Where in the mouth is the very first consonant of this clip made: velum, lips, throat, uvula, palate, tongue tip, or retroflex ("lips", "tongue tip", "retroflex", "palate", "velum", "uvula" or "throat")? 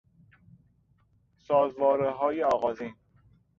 tongue tip